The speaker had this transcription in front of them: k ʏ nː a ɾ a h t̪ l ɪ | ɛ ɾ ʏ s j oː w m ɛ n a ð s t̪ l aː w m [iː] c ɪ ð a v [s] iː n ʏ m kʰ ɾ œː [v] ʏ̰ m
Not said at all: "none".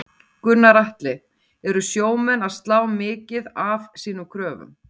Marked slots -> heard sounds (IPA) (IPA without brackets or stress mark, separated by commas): ɪː, s, v